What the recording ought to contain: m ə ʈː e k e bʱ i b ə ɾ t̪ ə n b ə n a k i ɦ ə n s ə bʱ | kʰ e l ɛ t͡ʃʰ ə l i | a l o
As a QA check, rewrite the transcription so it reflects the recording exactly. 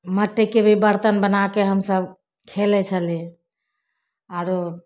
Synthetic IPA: m ə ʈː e k e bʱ i b ə ɾ t̪ ə n b ə n a k e ɦ ə m s ə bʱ | kʰ e l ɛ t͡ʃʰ ə l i | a ɾ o

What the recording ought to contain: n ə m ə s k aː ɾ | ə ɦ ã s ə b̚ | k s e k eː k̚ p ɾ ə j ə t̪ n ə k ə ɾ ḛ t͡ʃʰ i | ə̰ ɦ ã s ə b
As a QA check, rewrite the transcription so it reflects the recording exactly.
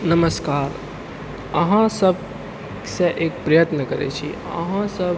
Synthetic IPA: n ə m ə s k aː ɾ | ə ɦ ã s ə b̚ | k s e ʔ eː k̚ p ɾ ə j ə t̪ n ə k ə ɾ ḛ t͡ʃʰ i | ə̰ ɦ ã s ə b

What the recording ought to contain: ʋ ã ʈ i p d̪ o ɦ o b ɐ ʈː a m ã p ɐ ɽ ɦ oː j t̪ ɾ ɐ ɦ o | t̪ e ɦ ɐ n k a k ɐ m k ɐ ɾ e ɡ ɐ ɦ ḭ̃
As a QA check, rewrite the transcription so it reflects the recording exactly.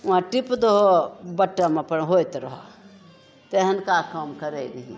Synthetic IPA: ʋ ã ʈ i p d̪ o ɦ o b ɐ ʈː a m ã p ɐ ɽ ɦ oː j t̪ ɾ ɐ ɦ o | t̪ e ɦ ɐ n k a k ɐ m k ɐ ɾ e ɡ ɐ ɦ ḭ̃

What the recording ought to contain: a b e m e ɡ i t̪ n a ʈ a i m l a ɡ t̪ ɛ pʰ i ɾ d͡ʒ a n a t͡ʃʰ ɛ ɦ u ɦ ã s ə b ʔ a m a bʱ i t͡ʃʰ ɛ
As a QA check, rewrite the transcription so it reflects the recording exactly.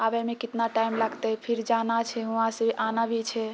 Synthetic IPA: a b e m e k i t̪ n a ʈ a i m l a ɡ t̪ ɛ pʰ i ɾ d͡ʒ a n a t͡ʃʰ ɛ ɦ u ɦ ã s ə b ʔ a n a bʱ i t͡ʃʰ ɛ

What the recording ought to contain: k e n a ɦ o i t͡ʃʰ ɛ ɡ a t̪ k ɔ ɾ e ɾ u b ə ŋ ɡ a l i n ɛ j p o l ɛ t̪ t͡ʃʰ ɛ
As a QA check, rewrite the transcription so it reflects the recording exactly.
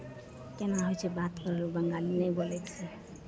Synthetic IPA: k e n a ɦ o j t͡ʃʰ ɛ b a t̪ k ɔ ɾ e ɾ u b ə ŋ ɡ a l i n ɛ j b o l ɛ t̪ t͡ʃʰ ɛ

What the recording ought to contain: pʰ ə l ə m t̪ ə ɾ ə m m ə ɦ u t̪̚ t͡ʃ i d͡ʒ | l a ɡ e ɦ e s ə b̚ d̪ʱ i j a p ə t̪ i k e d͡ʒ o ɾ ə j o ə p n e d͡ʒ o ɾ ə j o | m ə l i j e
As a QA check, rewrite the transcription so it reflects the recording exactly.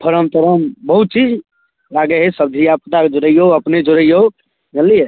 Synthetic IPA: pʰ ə ɾ ə m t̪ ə ɾ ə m b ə ɦ u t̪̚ t͡ʃ i d͡ʒ | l a ɡ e ɦ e s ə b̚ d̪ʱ i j a p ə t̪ a k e d͡ʒ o ɾ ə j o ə p n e d͡ʒ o ɾ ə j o | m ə l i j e

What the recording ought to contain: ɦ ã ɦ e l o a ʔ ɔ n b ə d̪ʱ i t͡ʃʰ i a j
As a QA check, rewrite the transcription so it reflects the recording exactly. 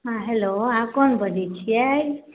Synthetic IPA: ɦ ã ɦ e l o a k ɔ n b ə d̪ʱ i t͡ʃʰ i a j

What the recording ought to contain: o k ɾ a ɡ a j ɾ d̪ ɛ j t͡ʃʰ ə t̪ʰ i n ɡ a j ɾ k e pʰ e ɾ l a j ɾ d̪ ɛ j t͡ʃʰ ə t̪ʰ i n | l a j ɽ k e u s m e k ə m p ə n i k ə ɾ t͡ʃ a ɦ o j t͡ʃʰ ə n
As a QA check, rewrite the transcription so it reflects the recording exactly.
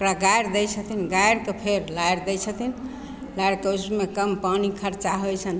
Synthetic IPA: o k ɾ a ɡ a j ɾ d̪ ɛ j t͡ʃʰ ə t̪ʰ i n ɡ a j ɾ k e pʰ e ɾ l a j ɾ d̪ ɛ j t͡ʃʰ ə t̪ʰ i n | l a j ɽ k e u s m e k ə m p a n i kʰ ə ɾ t͡ʃ a ɦ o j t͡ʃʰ ə n

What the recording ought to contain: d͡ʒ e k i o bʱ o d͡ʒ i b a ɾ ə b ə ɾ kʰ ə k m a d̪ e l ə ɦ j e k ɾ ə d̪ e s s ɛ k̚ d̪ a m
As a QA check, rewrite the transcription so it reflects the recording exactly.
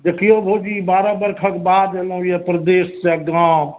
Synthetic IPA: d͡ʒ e k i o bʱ o d͡ʒ i b a ɾ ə b ə ɾ kʰ ə k b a d̪ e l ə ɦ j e p ɾ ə d̪ e s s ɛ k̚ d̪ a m

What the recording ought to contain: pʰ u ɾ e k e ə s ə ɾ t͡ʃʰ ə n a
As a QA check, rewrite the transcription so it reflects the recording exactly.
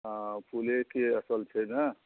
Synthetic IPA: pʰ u l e k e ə s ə l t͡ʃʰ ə n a

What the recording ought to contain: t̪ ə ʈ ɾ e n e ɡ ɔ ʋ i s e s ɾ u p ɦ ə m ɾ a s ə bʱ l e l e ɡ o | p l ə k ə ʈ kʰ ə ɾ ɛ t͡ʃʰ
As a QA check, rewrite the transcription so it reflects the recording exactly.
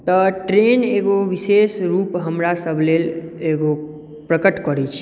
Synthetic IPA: t̪ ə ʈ ɾ e n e ɡ o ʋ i s e s ɾ u p ɦ ə m ɾ a s ə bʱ l e l e ɡ o | p ɾ ə k ə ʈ k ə ɾ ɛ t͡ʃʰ

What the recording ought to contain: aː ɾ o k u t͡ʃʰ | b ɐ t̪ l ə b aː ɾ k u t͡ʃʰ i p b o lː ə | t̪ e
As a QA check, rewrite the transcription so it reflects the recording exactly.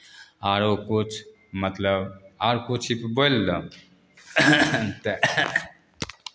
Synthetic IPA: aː ɾ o k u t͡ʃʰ | m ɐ t̪ l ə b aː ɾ k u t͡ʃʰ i p b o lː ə | t̪ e

